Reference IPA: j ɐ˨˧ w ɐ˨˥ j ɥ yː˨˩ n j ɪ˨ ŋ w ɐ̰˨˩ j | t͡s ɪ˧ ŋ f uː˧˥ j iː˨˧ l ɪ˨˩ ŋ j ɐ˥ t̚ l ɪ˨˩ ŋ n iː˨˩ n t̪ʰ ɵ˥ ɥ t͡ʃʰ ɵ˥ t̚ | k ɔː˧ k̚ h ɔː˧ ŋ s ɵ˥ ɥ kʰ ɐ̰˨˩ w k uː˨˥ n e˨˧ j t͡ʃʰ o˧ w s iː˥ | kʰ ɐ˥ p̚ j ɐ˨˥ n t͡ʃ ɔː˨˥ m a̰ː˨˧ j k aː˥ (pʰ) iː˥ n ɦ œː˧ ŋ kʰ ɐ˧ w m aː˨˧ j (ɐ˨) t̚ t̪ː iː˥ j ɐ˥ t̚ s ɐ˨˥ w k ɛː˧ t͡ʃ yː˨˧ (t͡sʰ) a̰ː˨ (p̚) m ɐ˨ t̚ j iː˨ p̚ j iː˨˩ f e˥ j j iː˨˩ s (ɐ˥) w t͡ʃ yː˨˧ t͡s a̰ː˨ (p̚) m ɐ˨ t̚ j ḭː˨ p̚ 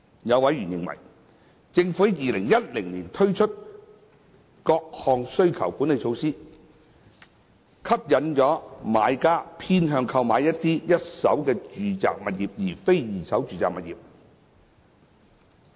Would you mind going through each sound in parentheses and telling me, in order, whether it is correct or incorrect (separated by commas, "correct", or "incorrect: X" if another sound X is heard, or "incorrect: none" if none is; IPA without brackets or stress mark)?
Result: correct, incorrect: ɐ˥, incorrect: t͡s, incorrect: k̚, incorrect: ɐ˨˥, incorrect: k̚